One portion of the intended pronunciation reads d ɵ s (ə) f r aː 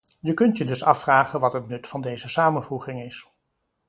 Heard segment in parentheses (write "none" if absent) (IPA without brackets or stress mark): ɑ